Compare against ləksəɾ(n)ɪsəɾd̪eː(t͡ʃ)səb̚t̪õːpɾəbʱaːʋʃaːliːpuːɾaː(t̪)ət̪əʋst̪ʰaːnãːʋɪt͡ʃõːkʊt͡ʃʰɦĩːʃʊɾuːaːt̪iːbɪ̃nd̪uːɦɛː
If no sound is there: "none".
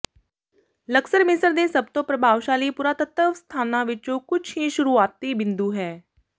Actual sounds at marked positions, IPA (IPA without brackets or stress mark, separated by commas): m, none, t̪